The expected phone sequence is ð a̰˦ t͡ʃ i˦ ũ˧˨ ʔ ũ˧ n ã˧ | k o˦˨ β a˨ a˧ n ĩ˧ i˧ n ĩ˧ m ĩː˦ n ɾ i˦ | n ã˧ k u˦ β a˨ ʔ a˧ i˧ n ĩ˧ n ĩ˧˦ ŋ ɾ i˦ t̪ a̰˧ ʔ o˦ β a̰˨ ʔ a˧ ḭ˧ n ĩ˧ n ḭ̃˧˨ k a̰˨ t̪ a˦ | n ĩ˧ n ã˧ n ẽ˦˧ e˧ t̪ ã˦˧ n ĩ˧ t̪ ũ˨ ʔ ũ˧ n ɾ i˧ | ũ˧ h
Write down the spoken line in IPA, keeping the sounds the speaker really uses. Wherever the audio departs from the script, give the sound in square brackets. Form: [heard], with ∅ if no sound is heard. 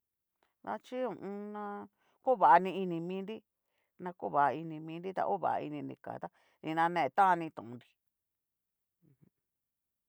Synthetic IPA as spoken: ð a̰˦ t͡ʃ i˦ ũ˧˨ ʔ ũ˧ n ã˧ | k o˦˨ β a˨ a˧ n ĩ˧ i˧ n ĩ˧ m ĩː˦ n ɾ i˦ | n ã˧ k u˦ β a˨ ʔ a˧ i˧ n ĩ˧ [m] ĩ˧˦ [n] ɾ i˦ t̪ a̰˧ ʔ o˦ β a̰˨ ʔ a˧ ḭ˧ n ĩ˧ n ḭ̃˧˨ k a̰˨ t̪ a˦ | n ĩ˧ n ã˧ n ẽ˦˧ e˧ t̪ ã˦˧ n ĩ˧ t̪ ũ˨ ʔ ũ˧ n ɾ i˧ | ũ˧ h

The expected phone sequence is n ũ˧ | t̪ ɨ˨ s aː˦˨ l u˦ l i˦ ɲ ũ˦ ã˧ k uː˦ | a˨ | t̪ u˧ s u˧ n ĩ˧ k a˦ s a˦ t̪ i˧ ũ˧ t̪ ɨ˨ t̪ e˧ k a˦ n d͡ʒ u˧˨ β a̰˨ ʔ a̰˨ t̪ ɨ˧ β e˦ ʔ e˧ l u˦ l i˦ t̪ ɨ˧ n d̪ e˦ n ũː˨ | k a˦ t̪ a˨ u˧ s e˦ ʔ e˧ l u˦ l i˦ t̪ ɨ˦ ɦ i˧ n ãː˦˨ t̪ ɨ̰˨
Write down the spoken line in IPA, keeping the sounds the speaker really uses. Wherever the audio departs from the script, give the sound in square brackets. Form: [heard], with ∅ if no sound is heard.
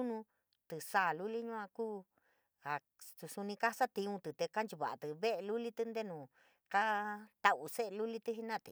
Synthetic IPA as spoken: n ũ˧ | t̪ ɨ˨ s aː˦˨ l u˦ l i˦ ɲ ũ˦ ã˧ k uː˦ | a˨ | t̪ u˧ s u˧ n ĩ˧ k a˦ s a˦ t̪ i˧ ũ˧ t̪ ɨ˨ t̪ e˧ k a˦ n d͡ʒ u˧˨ β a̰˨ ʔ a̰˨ t̪ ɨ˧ β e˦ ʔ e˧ l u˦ l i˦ t̪ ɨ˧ n d̪ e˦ n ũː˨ | k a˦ t̪ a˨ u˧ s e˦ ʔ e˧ l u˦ l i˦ t̪ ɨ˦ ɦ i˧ n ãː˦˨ t̪ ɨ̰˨

